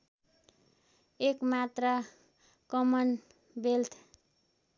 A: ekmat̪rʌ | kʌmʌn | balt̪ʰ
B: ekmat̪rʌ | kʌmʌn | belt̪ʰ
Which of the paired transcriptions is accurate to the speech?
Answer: B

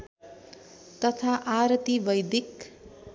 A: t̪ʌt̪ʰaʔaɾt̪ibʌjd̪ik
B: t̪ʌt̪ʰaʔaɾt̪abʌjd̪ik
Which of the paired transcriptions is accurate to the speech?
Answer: A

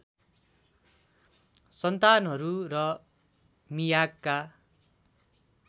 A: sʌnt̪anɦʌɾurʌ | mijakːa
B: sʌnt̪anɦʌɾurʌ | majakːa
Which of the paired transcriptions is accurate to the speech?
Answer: A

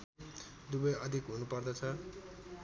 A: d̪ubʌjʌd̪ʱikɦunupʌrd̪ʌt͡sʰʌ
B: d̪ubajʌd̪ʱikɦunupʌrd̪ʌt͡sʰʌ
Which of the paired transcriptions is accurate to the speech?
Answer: A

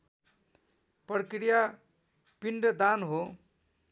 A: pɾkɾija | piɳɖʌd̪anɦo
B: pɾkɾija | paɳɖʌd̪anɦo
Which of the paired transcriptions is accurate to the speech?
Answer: A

